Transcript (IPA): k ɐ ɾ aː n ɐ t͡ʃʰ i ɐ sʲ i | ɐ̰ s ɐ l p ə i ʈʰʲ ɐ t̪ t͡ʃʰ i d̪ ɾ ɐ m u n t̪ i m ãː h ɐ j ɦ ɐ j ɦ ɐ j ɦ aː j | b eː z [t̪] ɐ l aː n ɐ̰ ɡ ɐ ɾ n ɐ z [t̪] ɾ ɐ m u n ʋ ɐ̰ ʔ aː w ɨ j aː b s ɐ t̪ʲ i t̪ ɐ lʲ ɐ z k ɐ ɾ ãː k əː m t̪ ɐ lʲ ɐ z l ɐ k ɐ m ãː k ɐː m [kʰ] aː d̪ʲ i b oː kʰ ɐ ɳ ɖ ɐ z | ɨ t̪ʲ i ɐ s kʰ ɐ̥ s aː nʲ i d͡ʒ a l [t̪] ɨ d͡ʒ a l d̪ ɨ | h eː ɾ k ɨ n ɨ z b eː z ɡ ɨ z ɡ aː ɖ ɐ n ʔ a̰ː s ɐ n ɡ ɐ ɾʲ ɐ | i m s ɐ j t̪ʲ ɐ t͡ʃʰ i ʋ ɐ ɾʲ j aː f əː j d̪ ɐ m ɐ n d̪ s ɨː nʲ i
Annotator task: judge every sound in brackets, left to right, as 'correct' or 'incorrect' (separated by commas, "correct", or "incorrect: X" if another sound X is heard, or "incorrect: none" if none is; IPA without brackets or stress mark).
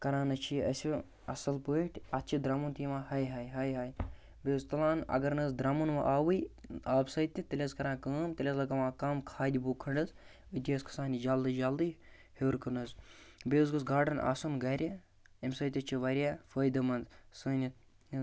correct, incorrect: d̪, correct, incorrect: d̪